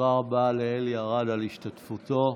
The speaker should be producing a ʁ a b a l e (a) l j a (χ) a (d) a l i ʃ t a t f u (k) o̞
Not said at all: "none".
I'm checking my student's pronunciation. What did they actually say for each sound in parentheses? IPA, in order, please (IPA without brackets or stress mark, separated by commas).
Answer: e, ʁ, d, t